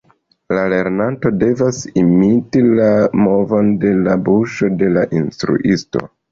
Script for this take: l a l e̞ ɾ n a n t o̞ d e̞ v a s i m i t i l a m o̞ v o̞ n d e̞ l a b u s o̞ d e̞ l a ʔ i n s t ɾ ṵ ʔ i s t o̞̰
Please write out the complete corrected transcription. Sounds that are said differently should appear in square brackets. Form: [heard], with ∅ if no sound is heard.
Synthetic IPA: l a l e̞ ɾ n a n t o̞ d e̞ v a s i m i t i l a m o̞ v o̞ n d e̞ l a b u [ʃ] o̞ d e̞ l a ʔ i n s t ɾ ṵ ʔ i s t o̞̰